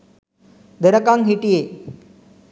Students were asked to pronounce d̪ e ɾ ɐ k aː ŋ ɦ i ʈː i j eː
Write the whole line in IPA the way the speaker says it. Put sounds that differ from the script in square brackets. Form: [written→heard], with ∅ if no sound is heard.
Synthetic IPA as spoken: d̪ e ɾ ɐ k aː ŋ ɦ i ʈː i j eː